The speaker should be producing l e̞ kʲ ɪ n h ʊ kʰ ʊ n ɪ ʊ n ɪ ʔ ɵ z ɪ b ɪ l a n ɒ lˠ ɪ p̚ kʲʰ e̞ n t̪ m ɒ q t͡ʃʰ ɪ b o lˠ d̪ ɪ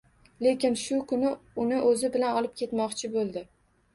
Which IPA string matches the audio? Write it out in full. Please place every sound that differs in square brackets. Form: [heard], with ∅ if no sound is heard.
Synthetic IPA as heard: l e̞ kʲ ɪ n [ʃ] ʊ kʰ ʊ n ɪ ʊ n ɪ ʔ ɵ z ɪ b ɪ l a n ɒ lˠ ɪ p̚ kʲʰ e̞ [∅] t̪ m ɒ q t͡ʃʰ ɪ b o lˠ d̪ ɪ